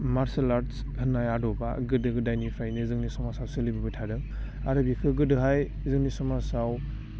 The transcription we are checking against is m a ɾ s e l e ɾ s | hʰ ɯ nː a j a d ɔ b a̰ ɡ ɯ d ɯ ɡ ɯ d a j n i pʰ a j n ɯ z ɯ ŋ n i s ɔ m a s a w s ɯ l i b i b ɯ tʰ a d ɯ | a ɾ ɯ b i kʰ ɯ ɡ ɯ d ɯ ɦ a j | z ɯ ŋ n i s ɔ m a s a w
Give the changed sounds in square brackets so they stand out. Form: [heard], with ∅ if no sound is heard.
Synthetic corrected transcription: m a ɾ s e l [a] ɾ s | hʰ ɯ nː a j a d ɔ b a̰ ɡ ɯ d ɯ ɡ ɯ d a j n i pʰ a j n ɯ z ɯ ŋ n i s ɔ m a s a w s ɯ l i b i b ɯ tʰ a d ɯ | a ɾ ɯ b i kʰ ɯ ɡ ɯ d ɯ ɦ a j | z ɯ ŋ n i s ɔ m a s a w